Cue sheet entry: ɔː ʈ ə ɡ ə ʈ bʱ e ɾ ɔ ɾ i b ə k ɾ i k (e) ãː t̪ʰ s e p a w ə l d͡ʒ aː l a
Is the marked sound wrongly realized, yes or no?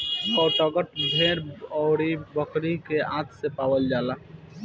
no